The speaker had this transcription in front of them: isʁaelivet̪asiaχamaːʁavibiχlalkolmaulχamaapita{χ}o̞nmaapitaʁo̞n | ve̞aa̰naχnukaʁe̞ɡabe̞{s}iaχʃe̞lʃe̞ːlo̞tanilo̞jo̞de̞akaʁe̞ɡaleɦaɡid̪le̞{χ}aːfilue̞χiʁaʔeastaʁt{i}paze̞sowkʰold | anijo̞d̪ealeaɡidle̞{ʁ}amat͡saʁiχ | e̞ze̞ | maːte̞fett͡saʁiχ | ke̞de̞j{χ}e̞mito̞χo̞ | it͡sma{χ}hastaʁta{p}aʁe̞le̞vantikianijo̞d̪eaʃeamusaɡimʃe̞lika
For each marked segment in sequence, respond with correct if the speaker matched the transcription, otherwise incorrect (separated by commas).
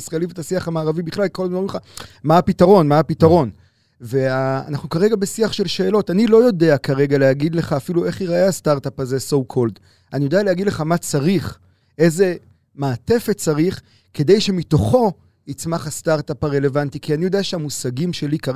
incorrect, correct, correct, incorrect, incorrect, incorrect, correct, correct